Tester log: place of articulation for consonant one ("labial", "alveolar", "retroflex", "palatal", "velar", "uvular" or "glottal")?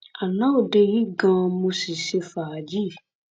alveolar